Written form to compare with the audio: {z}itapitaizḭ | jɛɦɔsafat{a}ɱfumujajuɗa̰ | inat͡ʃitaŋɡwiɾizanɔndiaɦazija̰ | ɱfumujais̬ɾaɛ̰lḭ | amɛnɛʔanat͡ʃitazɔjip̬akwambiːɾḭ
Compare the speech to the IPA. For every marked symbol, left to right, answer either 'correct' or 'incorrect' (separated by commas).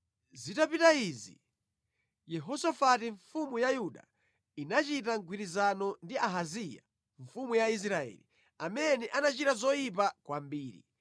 correct, incorrect